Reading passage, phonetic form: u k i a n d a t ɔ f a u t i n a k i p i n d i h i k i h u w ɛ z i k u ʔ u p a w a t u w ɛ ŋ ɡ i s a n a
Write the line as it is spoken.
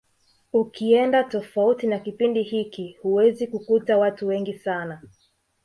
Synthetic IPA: u k i ɛ n d a t ɔ f a u t i n a k i p i n d i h i k i h u w ɛ z i k u k u t a w a t u w ɛ ŋ ɡ i s a n a